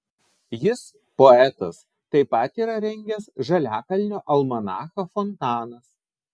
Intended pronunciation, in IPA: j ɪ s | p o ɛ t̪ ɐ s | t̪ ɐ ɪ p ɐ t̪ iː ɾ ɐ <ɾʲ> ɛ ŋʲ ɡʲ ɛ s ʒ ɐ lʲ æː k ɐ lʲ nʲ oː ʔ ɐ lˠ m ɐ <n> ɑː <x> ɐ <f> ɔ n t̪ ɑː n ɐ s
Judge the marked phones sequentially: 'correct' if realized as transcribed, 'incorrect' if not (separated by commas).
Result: correct, correct, correct, correct